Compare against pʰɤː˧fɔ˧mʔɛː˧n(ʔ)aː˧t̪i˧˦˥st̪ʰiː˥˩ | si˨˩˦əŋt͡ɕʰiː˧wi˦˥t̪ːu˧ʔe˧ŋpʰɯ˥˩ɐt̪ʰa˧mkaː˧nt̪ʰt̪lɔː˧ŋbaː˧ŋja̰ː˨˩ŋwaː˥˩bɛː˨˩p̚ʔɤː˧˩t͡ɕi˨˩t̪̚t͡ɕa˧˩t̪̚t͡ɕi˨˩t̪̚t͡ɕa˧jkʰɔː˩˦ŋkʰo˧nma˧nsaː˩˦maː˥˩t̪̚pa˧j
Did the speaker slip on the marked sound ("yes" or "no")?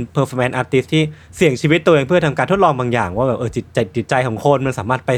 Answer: no